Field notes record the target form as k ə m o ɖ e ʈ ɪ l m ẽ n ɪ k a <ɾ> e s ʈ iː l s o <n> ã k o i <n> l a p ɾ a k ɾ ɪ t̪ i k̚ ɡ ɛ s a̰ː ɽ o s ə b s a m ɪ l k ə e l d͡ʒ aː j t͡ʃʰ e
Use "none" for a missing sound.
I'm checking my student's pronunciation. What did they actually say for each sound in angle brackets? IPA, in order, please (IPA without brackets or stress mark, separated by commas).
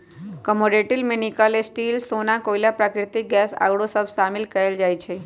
l, n, none